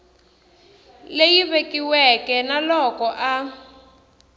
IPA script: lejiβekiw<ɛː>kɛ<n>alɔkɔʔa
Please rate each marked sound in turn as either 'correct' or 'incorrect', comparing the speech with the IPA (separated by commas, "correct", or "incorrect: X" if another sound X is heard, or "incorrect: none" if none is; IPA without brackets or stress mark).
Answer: incorrect: ɛ, correct